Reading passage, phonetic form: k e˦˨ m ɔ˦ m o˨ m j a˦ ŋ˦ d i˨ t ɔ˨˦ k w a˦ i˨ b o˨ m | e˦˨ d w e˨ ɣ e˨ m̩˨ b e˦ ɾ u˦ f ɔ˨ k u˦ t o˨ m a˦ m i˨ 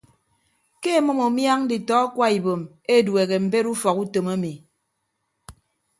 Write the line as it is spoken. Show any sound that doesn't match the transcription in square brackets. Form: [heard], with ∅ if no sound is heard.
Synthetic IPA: k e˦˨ m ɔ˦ m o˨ m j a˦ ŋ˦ d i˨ t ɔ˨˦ k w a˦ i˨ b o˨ m | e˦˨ d w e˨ ɣ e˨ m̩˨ b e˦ ɾ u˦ f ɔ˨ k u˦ t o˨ m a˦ m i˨